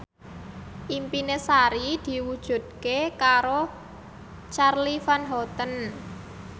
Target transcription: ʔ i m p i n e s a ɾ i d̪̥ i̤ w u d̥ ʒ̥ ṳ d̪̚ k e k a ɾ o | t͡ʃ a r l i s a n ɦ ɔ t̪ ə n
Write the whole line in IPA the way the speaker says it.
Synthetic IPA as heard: ʔ i m p i n e s a ɾ i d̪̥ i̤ w u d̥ ʒ̥ ṳ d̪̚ k e k a ɾ o | t͡ʃ a r l i f a n ɦ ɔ t̪ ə n